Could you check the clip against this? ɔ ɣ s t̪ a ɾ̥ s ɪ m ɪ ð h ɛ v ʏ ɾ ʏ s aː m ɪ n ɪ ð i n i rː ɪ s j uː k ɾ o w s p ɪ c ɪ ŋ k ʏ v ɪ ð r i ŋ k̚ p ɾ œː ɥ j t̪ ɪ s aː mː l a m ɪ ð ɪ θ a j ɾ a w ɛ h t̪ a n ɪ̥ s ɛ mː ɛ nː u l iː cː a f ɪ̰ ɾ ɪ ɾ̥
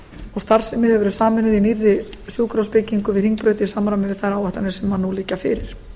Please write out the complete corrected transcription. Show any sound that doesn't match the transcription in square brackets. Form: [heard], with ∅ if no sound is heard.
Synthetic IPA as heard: ɔ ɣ s t̪ a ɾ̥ s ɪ m ɪ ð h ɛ v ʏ ɾ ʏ s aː m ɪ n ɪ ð i n i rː ɪ s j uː k ɾ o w s p ɪ c [i] ŋ k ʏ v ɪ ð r i ŋ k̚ p ɾ [œ] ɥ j t̪ ɪ s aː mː [ɾ] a m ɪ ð ɪ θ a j ɾ a w ɛ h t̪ a n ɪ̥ s ɛ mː [a] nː u l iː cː a f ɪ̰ ɾ ɪ ɾ̥